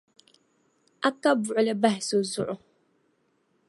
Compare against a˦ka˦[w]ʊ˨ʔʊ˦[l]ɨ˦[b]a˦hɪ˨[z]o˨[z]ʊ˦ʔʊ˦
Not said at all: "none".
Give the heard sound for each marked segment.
b, l, b, s, z

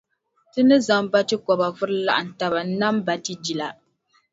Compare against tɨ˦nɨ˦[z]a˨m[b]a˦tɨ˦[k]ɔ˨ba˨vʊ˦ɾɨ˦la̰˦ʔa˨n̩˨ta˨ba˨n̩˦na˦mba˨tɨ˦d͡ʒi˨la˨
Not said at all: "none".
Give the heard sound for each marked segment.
z, b, k

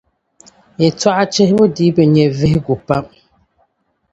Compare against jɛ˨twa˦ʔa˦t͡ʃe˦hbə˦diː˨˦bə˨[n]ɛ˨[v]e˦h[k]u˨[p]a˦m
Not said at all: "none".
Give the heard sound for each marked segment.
ɲ, v, ɡ, p

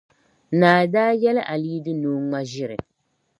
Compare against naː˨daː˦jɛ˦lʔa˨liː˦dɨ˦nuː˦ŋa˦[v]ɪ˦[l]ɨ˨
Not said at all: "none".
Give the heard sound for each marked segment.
ʒ, ɾ

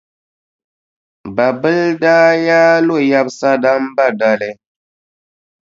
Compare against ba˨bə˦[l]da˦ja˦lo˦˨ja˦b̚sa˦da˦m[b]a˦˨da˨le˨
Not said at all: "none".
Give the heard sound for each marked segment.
l, b

